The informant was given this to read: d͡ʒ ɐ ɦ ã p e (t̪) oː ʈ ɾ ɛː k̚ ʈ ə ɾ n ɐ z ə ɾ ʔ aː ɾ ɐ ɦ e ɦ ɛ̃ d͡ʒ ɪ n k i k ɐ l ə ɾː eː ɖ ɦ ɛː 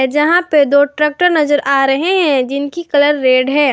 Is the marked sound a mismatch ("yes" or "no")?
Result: yes